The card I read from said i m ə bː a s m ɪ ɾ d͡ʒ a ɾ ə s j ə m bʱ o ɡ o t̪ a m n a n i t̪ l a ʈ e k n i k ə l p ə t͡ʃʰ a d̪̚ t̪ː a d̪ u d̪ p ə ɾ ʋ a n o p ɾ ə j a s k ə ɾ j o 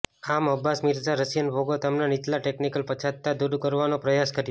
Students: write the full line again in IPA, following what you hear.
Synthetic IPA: a m ə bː a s m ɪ ɾ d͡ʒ a ɾ ə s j ə n bʱ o ɡ o t̪ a m n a n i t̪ l a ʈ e k n i k ə l p ə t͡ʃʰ a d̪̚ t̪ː a d̪ u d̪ k ə ɾ ʋ a n o p ɾ ə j a s k ə ɾ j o

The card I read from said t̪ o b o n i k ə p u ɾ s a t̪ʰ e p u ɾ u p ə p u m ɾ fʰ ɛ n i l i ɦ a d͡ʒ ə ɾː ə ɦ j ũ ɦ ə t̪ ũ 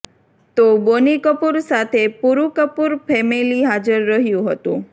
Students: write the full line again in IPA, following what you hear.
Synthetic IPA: t̪ o b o n i k ə p u ɾ s a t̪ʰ e p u ɾ u k ə p u ɾ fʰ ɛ m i l i ɦ a d͡ʒ ə ɾː ə ɦ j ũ ɦ ə t̪ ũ

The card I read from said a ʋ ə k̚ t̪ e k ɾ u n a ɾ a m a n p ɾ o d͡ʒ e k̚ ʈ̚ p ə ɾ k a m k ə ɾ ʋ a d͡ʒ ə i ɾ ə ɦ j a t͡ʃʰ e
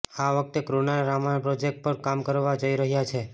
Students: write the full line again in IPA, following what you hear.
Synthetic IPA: a ʋ ə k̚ t̪ e k ɾ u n a ɾ a m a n p ɾ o d͡ʒ e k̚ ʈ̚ p ə ɾ k a m k ə ɾ ʋ a d͡ʒ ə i ɾ ə ɦ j a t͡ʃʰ e

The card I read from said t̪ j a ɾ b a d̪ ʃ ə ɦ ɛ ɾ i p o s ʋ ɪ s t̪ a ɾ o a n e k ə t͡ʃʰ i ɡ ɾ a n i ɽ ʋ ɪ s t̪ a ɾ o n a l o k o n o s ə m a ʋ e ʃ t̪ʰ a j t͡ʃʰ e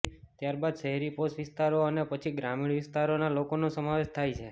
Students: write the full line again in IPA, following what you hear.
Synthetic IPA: t̪ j a ɾ b a d̪ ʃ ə ɦ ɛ ɾ i p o s ʋ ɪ s t̪ a ɾ o ə n e p ə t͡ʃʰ i ɡ ɾ a m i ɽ ʋ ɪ s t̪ a ɾ o n a l o k o n o s ə m a ʋ e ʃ t̪ʰ a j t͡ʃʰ e

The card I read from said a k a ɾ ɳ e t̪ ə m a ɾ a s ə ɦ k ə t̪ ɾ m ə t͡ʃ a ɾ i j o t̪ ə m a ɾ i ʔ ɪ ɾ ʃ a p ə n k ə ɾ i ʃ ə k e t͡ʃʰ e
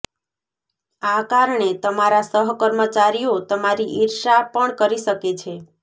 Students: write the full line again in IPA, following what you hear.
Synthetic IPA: a k a ɾ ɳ e t̪ ə m a ɾ a s ə ɦ k ə ɾ m ə t͡ʃ a ɾ i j o t̪ ə m a ɾ i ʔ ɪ ɾ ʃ a p ə ɳ k ə ɾ i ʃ ə k e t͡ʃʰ e

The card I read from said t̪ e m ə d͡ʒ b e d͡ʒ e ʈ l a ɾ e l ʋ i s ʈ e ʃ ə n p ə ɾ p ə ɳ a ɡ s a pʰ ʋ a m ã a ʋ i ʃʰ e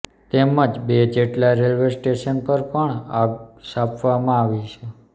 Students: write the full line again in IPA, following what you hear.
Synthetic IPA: t̪ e m ə d͡ʒ b e d͡ʒ e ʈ l a ɾ e l ʋ e s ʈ e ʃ ə n p ə ɾ p ə ɳ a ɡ s a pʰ ʋ a m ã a ʋ i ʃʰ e

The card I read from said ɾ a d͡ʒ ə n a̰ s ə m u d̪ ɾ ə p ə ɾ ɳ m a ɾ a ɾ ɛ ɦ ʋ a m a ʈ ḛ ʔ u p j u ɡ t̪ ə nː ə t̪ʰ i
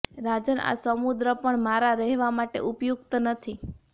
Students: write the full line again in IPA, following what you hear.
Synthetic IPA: ɾ a d͡ʒ ə n a̰ s ə m u d̪ ɾ ə p ə ɳ m a ɾ a ɾ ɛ ɦ ʋ a m a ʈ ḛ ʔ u p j u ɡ t̪ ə n ə t̪ʰ i

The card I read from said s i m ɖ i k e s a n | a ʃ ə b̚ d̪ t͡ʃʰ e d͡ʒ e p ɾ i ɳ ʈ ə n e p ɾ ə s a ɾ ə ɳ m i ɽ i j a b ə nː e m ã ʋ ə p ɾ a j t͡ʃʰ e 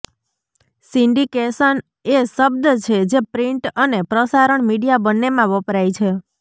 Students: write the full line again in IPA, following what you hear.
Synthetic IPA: s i ɳ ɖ i k e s ə n | e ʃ ə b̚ d̪ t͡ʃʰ e d͡ʒ e p ɾ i ɳ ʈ ə n e p ɾ ə s a ɾ ə ɳ m i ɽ i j a b ə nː e m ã ʋ ə p ɾ a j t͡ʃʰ e

